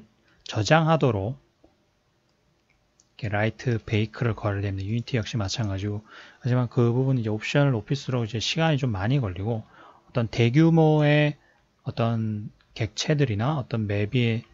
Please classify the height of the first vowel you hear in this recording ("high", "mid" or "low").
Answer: mid